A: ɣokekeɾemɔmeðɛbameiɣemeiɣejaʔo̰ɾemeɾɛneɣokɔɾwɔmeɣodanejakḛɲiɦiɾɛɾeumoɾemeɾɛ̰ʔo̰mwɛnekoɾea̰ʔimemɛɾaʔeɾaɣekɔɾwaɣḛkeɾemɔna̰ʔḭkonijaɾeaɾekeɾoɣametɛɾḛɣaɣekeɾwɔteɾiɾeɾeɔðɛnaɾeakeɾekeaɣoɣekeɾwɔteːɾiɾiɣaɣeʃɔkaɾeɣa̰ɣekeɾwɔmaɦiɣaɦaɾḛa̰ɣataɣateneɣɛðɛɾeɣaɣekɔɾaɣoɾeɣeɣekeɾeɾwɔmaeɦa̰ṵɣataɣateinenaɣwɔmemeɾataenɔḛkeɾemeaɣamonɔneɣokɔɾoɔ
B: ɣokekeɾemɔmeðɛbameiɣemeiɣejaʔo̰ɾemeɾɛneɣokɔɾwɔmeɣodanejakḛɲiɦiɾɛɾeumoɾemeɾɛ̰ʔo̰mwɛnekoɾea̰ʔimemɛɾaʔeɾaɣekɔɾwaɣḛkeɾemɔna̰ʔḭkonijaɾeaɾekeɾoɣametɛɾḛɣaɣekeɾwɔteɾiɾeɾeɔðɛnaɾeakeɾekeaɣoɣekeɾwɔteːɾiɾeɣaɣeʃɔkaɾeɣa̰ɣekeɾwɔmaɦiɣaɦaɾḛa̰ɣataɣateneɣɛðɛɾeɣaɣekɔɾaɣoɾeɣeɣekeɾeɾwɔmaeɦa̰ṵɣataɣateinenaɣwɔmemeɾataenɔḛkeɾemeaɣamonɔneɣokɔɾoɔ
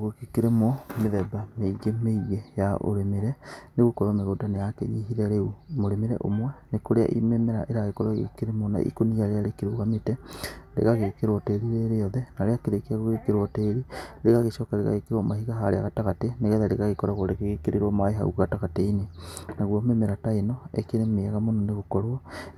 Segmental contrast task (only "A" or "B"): B